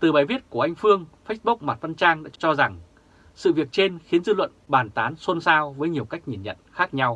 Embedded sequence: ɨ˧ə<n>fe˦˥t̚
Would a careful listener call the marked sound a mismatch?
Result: yes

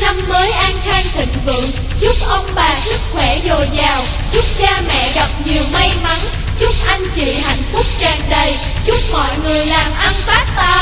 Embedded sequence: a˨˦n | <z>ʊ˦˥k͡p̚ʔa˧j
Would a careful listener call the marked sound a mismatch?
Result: no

